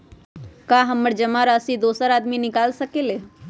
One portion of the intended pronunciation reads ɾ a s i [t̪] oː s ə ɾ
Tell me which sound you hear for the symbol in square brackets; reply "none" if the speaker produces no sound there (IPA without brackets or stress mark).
d̪